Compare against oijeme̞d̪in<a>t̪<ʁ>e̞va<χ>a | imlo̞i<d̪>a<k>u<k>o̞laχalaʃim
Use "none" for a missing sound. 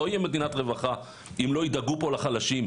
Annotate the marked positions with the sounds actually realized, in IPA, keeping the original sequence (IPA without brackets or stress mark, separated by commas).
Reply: a, ʁ, χ, d̪, ɡ, p